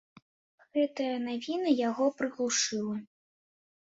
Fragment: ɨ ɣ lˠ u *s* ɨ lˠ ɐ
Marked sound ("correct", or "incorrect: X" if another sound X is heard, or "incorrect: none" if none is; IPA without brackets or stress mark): incorrect: ʂ